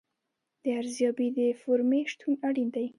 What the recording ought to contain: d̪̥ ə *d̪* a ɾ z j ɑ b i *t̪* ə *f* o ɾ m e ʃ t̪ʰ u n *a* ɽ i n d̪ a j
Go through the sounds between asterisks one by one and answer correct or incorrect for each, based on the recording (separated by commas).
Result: incorrect, incorrect, correct, correct